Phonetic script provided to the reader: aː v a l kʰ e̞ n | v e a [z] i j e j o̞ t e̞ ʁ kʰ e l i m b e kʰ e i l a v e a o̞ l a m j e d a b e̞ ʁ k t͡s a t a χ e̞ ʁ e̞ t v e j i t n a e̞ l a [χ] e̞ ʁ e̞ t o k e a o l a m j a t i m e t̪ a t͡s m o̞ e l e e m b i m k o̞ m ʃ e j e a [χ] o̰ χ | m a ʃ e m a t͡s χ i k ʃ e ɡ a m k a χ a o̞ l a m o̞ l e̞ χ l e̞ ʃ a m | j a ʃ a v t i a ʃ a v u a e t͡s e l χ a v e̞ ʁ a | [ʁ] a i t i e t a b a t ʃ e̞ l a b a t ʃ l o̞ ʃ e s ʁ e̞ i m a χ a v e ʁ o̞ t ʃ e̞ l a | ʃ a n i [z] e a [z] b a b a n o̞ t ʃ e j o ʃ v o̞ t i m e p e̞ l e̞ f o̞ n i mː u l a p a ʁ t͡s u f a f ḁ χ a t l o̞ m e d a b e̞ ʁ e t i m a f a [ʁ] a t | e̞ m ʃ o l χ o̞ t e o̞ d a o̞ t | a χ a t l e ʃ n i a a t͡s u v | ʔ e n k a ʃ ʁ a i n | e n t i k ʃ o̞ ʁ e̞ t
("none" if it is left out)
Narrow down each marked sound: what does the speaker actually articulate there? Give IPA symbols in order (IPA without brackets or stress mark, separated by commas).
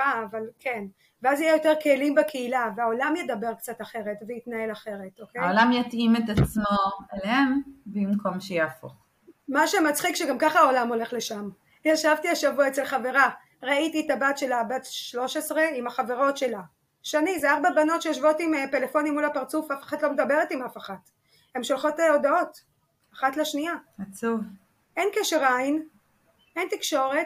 z, χ, f, ʁ, z, ʁ, χ